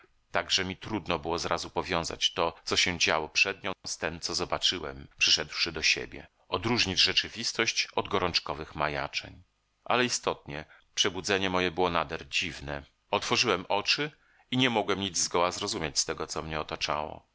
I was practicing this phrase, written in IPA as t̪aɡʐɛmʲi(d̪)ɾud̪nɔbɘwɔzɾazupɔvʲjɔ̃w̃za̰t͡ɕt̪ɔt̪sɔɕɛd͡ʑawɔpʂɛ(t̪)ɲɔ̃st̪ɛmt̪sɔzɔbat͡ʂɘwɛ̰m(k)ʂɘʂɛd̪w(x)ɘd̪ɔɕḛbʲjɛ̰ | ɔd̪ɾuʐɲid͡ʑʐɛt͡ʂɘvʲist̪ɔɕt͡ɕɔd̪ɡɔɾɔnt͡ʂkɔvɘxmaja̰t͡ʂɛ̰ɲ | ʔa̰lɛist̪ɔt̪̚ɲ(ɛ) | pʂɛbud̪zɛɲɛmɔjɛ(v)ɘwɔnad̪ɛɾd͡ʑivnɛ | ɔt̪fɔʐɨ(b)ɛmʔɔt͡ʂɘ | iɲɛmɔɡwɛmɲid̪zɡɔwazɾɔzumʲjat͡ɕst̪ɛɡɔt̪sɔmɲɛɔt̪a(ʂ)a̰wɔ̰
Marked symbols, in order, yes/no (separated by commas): no, no, no, no, yes, no, no, no